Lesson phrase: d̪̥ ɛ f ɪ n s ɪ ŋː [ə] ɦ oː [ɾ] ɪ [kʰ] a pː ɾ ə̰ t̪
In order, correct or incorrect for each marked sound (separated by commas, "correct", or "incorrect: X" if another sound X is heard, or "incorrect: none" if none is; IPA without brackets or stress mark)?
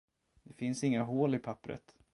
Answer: incorrect: a, incorrect: l, incorrect: pʰ